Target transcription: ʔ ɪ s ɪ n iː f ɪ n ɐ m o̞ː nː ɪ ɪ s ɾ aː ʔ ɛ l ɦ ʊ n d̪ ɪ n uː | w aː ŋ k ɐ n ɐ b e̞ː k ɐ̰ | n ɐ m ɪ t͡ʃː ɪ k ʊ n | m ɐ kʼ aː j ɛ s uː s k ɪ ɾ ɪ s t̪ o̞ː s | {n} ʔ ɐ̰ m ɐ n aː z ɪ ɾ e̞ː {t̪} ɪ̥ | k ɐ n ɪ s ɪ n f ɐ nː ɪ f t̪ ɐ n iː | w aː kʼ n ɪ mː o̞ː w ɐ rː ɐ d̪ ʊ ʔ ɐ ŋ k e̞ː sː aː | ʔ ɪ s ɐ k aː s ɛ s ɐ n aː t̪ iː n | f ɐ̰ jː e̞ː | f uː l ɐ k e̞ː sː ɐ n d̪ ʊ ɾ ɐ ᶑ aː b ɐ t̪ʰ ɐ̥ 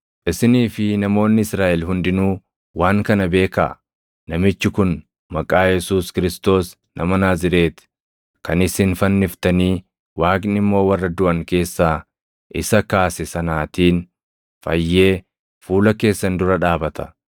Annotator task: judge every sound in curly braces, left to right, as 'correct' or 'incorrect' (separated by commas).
correct, correct